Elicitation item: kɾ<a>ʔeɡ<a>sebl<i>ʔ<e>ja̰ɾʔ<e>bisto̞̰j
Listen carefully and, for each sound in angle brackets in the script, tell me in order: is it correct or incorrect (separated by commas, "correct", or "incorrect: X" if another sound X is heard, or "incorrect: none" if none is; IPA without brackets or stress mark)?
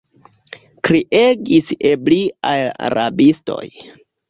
incorrect: i, incorrect: i, correct, incorrect: a, incorrect: a